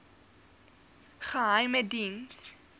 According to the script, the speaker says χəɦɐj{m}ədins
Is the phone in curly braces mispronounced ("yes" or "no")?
no